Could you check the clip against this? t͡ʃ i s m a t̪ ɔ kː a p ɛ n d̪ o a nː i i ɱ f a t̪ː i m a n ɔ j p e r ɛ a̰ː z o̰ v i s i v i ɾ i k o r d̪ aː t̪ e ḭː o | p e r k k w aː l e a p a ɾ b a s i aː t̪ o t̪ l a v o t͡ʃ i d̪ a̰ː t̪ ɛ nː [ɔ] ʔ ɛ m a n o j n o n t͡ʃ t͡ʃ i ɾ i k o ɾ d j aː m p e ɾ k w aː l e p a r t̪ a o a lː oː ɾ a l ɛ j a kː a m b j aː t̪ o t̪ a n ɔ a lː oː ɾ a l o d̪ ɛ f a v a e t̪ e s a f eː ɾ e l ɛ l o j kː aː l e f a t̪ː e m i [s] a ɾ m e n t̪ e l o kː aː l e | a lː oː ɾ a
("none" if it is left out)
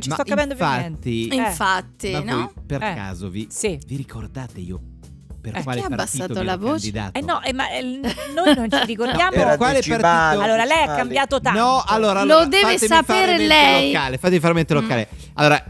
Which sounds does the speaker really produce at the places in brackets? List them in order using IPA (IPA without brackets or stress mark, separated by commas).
ɔ, f